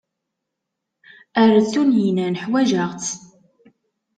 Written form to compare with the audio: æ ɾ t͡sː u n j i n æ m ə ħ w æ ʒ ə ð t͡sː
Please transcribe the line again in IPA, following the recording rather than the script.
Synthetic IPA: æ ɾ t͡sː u n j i n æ n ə ħ w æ ʒ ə ʁ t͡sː

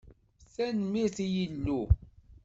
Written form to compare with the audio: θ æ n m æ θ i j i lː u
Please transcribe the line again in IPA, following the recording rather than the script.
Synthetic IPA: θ æ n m i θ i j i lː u

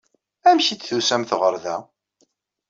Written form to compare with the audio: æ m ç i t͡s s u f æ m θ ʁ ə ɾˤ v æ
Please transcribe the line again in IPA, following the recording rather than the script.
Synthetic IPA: æ m ç i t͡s θ u s æ m θ ʁ ə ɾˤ ð æ

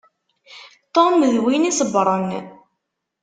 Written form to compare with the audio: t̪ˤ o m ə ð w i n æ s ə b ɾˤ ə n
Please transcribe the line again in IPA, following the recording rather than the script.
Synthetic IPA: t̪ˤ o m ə ð w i n i s ə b ɾˤ ə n

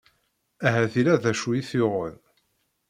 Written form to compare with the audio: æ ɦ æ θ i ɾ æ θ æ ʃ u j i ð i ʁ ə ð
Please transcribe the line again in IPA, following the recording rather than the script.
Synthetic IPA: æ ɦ æ θ i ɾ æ ð æ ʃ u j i θ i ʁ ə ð

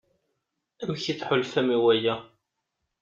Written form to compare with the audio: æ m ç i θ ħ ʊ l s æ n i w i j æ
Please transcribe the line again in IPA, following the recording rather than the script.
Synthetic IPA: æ m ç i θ ħ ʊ l f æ m i w æ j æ

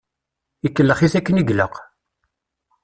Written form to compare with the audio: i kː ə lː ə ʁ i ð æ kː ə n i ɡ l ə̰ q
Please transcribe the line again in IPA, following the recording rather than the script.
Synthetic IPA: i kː ə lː ə χ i θ æ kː ə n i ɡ l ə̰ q

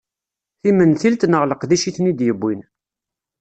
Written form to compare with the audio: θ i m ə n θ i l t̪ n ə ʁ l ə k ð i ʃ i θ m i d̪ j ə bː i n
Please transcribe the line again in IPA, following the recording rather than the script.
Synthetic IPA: θ i m ə n θ i l t̪ n ə ʁ l ə q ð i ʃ i θ n i d̪ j ə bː i n

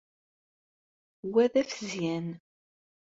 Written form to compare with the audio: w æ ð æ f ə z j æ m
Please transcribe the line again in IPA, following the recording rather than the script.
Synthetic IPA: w æ ð æ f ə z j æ n

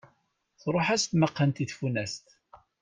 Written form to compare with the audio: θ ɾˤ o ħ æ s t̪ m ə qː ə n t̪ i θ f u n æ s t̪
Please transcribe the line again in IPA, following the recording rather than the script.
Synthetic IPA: θ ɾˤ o ħ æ s t̪ m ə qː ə n t̪ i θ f u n æ s t̪

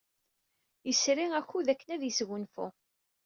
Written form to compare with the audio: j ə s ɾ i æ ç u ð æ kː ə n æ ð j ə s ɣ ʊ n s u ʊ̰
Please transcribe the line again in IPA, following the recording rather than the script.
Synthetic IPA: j ə s ɾ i æ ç u ð æ kː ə n æ ð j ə s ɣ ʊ n f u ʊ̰

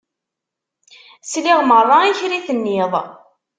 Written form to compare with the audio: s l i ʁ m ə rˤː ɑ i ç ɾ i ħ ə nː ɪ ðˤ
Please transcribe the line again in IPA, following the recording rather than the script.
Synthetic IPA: s l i ʁ m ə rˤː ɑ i ç ɾ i θ ə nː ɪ ðˤ

